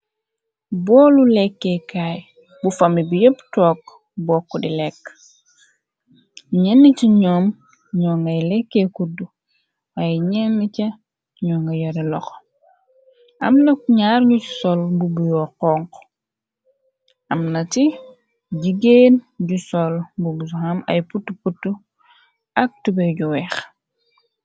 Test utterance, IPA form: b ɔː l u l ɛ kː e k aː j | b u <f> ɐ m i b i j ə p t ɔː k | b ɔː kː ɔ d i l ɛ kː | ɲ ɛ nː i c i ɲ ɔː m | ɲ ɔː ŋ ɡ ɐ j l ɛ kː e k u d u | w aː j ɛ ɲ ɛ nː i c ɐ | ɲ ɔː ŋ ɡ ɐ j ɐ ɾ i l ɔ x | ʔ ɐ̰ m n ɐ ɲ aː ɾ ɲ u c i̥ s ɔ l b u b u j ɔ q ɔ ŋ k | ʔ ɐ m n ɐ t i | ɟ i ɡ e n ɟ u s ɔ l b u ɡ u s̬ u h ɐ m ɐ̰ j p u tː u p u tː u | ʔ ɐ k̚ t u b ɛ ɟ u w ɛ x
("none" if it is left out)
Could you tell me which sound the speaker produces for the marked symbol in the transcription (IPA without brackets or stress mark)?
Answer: f